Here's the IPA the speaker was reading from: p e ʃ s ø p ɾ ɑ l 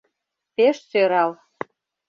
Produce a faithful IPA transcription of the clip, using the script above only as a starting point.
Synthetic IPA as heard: p e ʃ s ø ɾ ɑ l